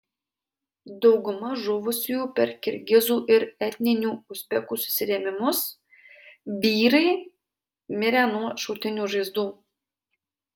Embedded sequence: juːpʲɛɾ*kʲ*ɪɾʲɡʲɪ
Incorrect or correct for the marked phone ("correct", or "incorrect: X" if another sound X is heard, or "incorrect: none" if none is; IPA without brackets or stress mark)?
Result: correct